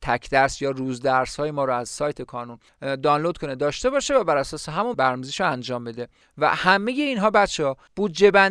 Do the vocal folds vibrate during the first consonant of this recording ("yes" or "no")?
no